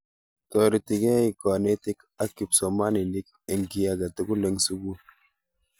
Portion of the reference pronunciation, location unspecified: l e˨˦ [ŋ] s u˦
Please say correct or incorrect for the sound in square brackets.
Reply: correct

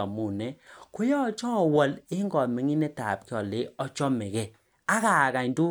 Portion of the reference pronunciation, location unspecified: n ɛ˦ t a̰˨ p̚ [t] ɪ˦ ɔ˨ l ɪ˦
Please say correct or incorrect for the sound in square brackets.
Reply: incorrect: k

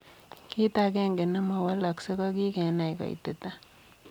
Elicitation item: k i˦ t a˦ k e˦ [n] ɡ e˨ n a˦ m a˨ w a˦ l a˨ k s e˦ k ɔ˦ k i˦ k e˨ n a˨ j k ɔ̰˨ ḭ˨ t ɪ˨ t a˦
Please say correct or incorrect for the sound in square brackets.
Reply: incorrect: ŋ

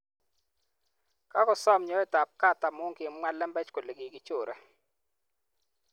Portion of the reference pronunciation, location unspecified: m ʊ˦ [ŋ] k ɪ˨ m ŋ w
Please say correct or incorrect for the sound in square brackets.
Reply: correct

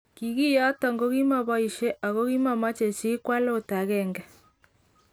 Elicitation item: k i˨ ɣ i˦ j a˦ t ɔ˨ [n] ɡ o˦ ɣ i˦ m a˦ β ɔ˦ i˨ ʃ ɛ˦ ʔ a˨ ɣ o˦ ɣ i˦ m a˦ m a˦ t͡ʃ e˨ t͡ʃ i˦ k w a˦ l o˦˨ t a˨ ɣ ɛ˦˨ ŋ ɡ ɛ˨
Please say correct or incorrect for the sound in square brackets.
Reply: incorrect: ŋ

